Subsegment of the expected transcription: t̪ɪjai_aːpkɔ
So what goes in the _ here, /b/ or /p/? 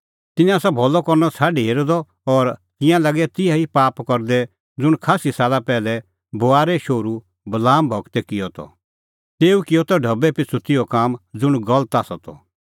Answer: p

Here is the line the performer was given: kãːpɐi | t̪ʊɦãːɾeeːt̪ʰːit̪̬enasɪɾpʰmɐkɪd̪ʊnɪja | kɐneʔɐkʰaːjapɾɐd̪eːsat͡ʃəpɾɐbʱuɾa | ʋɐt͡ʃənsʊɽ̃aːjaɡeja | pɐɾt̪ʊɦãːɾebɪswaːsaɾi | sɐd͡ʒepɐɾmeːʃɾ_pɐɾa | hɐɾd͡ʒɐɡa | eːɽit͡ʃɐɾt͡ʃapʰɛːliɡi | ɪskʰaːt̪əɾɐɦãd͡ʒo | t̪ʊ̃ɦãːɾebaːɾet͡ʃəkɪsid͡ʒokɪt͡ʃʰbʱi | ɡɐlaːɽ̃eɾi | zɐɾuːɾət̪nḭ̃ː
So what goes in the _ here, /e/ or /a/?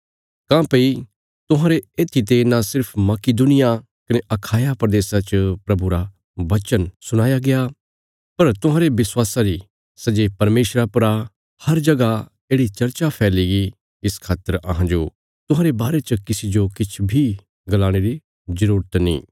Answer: a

